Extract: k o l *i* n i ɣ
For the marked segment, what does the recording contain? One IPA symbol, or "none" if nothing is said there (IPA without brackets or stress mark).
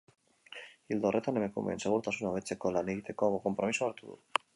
a